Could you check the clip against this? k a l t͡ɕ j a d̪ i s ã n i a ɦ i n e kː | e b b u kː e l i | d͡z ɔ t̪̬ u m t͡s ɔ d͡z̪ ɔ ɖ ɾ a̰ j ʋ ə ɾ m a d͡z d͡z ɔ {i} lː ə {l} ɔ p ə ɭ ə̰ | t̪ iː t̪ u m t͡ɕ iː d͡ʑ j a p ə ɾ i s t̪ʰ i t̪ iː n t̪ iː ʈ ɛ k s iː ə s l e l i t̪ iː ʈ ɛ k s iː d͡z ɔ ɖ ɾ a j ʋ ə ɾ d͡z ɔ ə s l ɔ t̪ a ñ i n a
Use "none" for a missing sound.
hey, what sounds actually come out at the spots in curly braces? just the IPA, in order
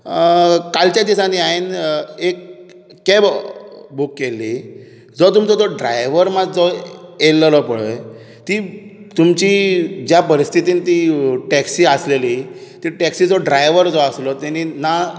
e, l

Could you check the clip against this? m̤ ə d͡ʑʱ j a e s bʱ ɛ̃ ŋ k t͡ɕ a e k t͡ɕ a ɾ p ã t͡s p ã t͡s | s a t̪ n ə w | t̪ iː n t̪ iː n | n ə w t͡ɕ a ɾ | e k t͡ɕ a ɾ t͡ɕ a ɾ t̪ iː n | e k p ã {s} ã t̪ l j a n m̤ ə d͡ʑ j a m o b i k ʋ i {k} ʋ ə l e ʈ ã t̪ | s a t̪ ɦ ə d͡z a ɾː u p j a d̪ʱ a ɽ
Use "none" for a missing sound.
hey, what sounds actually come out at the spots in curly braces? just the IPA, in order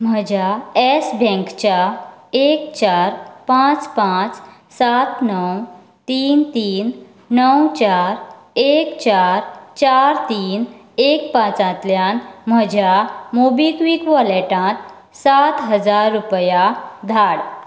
t͡s, k

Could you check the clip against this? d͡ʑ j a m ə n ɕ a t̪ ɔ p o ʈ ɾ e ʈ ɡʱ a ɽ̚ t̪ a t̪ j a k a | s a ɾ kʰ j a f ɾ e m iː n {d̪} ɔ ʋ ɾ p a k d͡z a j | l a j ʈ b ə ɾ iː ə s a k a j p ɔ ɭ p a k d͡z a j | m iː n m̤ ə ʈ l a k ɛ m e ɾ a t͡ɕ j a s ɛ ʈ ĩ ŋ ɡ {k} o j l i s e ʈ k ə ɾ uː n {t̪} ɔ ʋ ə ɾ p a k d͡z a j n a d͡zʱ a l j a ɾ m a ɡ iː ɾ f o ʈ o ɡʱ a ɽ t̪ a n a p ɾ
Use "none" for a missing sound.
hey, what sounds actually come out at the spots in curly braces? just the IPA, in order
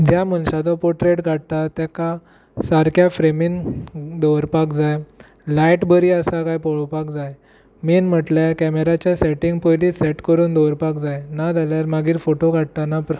d̪, p, d̪

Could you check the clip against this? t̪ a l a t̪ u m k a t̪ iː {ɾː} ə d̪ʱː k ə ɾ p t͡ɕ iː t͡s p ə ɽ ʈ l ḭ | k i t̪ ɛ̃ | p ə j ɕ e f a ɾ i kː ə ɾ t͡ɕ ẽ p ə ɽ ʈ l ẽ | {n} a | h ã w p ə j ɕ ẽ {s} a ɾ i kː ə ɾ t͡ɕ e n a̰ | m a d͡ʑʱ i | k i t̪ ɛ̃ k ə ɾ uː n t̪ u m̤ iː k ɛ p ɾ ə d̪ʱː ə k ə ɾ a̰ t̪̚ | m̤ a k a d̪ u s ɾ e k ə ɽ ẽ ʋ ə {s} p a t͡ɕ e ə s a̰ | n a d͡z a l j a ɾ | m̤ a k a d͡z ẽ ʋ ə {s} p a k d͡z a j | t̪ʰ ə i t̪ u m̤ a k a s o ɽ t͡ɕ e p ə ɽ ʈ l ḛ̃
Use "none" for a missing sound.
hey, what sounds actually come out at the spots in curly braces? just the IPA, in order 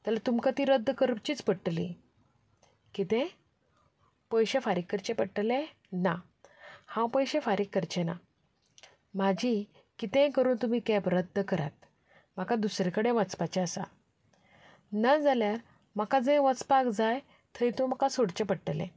ɾ, n, f, t͡s, t͡s

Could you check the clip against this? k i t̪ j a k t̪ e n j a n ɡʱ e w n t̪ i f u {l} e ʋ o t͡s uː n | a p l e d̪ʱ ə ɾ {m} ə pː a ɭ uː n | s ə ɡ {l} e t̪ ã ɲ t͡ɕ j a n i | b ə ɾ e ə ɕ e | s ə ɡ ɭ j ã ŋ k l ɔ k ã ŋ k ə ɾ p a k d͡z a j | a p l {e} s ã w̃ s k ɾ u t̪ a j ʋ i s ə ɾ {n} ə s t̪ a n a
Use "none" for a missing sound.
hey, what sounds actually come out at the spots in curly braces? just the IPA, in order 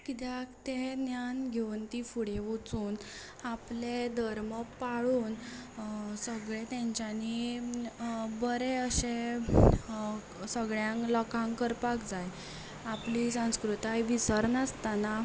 ɽ, m, ɭ, i, n

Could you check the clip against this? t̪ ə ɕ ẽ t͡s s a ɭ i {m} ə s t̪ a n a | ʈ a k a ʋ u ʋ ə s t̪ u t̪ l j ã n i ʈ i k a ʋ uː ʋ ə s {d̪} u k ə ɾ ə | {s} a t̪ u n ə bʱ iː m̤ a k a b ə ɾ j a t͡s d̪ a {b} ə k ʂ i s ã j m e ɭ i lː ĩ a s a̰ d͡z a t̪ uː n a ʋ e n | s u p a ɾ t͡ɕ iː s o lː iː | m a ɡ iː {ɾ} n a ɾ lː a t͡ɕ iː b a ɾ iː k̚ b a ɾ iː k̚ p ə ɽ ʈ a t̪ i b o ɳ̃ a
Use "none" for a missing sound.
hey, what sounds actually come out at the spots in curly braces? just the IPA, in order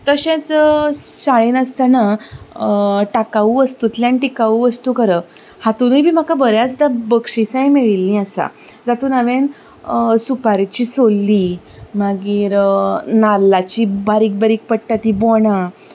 n, t̪, h, b, ɾ

